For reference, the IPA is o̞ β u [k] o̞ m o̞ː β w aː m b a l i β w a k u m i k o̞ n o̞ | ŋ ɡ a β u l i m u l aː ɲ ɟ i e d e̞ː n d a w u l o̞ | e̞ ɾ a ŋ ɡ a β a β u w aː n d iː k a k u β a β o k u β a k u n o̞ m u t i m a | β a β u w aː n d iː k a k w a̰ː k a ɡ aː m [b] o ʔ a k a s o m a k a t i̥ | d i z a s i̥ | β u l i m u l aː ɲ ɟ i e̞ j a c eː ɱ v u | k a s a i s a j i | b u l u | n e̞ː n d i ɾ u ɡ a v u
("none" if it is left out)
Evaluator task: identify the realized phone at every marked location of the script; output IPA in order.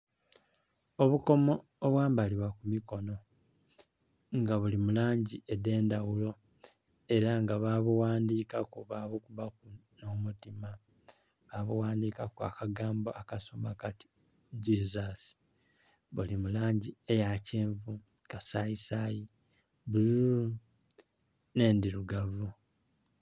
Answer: k, b

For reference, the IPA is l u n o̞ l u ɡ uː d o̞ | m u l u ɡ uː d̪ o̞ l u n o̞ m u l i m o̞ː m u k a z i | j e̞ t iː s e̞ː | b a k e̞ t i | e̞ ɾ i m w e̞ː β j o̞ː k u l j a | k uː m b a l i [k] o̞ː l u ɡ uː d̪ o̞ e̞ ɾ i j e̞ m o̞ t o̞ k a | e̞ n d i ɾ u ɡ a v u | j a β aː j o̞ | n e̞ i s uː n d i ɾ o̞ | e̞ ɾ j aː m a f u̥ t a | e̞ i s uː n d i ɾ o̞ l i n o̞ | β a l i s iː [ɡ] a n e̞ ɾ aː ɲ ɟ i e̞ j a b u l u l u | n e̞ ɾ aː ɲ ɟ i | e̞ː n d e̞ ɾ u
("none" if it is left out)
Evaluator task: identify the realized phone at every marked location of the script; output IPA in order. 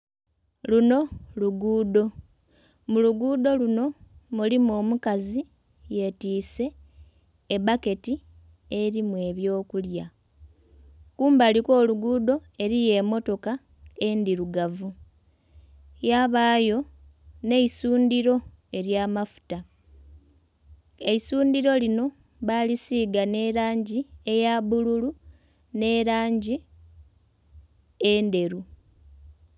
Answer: k, ɡ

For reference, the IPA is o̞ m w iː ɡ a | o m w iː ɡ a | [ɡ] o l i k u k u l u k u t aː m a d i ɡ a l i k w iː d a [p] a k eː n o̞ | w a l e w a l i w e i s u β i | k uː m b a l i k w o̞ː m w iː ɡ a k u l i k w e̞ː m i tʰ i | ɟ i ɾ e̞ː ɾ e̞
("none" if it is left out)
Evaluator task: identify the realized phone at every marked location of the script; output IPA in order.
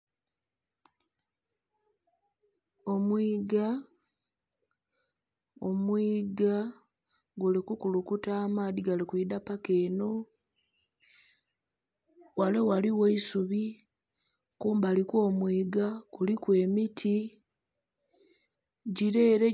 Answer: ɡ, p

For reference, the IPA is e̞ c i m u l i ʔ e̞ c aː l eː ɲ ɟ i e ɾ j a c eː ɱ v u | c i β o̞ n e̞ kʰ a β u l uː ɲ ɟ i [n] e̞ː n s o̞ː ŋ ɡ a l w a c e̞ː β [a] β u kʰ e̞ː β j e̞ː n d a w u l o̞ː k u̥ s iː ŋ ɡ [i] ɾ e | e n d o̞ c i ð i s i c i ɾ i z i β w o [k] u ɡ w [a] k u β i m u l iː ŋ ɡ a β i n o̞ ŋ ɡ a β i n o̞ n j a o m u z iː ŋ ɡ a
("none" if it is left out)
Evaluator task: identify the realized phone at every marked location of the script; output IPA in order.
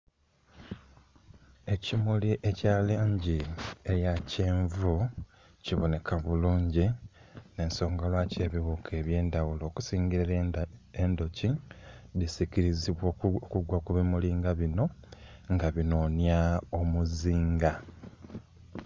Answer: n, i, i, k, a

